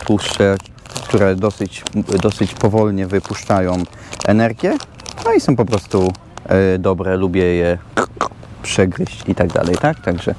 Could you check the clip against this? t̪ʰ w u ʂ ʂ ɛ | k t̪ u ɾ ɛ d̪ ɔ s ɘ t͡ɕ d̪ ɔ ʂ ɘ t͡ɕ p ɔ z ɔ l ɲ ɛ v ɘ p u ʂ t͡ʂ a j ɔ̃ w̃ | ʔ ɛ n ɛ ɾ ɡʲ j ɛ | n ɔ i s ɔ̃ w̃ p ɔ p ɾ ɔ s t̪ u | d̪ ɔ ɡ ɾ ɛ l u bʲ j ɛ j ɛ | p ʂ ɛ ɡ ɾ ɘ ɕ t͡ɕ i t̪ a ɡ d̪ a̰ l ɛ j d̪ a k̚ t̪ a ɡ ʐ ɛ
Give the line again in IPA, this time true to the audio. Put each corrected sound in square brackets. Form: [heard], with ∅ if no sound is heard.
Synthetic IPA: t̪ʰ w u ʂ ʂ ɛ | k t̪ u ɾ ɛ d̪ ɔ s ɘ t͡ɕ d̪ ɔ [s] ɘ t͡ɕ p ɔ [v] ɔ l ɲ ɛ v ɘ p u ʂ t͡ʂ a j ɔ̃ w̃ | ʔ ɛ n ɛ ɾ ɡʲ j ɛ | n ɔ i s ɔ̃ w̃ p ɔ p ɾ ɔ s t̪ u | d̪ ɔ [b] ɾ ɛ l u bʲ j ɛ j ɛ | p ʂ ɛ ɡ ɾ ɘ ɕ t͡ɕ i t̪ a ɡ d̪ a̰ l ɛ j [t̪] a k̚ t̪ a ɡ ʐ ɛ